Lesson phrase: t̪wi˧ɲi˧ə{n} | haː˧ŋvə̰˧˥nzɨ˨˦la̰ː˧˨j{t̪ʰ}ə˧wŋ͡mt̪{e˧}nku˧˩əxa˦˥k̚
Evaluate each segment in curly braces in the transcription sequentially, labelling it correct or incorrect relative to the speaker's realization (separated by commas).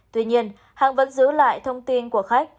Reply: correct, correct, incorrect